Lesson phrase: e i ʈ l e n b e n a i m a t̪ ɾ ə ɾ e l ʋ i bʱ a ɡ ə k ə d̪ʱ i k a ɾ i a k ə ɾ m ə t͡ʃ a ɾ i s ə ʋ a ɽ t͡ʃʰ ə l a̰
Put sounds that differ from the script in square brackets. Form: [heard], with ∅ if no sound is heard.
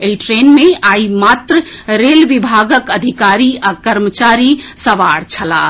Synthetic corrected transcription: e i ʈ [ɾ] e n [m] e [∅] a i m a t̪ ɾ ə ɾ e l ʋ i bʱ a ɡ ə k ə d̪ʱ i k a ɾ i a k ə ɾ m ə t͡ʃ a ɾ i s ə ʋ a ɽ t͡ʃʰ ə l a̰